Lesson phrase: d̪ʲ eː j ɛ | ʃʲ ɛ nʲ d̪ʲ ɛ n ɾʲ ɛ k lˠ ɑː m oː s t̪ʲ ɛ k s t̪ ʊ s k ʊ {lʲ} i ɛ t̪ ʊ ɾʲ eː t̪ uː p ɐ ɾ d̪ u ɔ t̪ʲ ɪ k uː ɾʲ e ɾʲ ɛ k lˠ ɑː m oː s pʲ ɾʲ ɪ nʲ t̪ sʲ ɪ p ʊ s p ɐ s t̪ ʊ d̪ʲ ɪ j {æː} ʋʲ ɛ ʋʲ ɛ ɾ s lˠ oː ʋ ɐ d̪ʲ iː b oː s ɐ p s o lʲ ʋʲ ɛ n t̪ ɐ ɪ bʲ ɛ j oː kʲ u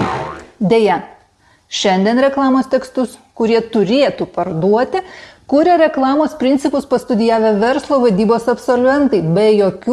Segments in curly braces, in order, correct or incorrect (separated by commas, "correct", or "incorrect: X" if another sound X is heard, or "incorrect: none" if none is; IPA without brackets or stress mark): incorrect: ɾʲ, correct